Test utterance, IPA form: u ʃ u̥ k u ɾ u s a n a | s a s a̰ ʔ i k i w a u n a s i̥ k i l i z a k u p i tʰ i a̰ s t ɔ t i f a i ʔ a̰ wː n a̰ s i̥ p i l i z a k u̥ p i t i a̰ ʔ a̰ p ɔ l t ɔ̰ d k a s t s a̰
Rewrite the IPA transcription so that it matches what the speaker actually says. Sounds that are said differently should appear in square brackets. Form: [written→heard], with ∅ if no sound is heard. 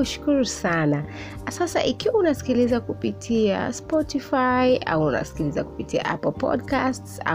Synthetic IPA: u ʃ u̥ k u ɾ u s a n a | s a s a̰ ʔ i k i w a u n a s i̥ k i l i z a k u p i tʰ i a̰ s [t→p] ɔ t i f a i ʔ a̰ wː n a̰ s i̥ [p→k] i l i z a k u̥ p i t i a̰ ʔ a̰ p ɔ l [t→p] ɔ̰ d k a s t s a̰